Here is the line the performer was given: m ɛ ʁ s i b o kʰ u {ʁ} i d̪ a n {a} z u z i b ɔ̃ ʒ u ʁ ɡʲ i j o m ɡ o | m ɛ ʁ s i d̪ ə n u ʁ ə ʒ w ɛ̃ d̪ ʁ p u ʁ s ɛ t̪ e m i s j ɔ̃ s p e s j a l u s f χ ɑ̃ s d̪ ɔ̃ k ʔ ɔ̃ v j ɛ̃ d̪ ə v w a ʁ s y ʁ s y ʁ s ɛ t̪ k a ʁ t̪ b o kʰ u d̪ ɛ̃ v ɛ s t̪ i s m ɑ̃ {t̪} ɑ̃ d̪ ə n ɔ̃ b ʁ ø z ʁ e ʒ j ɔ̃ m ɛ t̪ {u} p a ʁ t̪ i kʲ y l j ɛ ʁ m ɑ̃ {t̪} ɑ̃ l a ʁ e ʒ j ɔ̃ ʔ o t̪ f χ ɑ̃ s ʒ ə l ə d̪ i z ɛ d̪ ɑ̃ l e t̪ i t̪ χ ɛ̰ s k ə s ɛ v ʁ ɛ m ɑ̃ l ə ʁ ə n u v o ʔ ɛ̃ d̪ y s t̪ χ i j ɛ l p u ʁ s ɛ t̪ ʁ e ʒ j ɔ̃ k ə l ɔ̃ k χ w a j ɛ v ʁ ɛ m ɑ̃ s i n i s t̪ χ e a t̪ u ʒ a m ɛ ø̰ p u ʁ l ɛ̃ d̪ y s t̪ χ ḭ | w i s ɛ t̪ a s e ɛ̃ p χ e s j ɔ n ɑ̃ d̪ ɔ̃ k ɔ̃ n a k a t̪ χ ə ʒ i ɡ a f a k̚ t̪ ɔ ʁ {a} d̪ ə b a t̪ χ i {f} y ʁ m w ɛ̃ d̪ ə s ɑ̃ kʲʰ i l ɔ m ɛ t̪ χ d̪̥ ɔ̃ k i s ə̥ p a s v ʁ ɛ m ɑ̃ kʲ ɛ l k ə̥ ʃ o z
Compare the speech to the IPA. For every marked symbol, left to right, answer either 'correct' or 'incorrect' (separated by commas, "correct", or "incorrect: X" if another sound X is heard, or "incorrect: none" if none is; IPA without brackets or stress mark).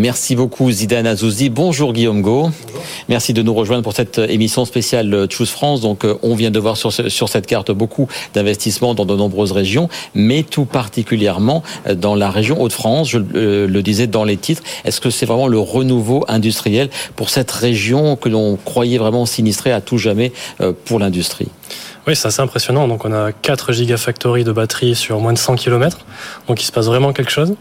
incorrect: z, correct, incorrect: d̪, correct, incorrect: d̪, incorrect: i, incorrect: s